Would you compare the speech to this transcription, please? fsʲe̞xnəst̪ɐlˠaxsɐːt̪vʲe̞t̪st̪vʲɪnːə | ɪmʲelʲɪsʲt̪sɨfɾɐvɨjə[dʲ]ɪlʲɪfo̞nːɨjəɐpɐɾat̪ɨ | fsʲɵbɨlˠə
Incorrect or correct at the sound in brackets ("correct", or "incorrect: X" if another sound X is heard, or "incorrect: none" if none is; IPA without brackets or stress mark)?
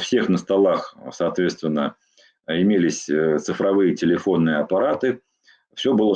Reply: incorrect: tʲ